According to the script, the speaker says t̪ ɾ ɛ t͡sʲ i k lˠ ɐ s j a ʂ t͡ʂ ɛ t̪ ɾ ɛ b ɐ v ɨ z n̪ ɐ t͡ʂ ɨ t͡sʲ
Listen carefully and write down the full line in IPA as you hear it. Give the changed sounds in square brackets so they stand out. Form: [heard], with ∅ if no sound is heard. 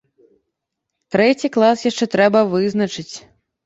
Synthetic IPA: t̪ ɾ ɛ t͡sʲ i k lˠ [a] s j a ʂ t͡ʂ ɛ t̪ ɾ ɛ b ɐ v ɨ z n̪ ɐ t͡ʂ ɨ t͡sʲ

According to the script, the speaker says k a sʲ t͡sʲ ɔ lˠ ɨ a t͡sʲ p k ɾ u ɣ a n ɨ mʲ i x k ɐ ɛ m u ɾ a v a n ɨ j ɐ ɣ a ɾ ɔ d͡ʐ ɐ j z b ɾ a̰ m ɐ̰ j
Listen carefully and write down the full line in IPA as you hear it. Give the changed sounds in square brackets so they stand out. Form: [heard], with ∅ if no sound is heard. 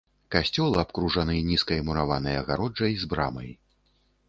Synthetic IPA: k a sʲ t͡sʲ ɔ lˠ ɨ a [∅] p k ɾ u [ʐ] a n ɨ [nʲ] i [s] k ɐ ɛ m u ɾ a v a n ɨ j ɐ ɣ a ɾ ɔ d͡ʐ ɐ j z b ɾ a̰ m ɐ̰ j

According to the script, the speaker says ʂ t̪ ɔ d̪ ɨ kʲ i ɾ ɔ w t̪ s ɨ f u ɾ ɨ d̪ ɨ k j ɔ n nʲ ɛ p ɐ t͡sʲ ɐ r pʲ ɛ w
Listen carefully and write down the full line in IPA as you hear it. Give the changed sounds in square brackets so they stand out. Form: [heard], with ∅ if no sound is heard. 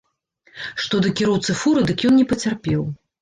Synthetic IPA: ʂ t̪ ɔ d̪ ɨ kʲ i ɾ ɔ w t̪ s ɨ f u ɾ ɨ d̪ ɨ k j ɔ n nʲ ɛ p ɐ t͡sʲ [a] r pʲ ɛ w

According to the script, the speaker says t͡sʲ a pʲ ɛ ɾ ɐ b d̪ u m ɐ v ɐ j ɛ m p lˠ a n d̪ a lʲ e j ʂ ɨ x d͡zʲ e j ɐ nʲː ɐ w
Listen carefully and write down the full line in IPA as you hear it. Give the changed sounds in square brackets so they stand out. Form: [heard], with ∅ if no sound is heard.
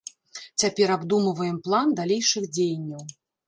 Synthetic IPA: t͡sʲ a pʲ ɛ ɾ [a] b d̪ u m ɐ v ɐ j ɛ m p lˠ a n d̪ a lʲ e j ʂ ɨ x d͡zʲ e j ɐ nʲː ɐ w

